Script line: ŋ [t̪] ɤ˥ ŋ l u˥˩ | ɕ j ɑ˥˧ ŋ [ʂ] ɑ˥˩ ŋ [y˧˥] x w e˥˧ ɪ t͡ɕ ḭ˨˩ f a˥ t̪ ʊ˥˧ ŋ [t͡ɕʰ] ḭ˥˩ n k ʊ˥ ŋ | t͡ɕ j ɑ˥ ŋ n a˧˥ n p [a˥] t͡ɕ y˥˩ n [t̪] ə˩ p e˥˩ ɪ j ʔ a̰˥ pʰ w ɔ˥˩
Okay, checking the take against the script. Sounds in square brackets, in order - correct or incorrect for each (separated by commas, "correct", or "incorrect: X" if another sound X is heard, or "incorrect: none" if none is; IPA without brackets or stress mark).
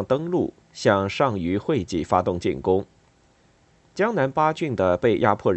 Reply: correct, correct, correct, incorrect: t͡ɕ, correct, incorrect: d̪